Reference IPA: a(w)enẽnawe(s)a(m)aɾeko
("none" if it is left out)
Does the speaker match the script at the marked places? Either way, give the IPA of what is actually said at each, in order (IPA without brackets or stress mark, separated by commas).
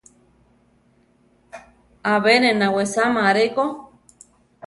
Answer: β, s, m